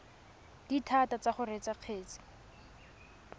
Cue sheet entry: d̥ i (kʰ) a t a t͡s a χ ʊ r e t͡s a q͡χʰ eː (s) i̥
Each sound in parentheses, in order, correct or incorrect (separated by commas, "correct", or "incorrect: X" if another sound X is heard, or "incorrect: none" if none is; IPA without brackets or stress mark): incorrect: tʰ, incorrect: t͡s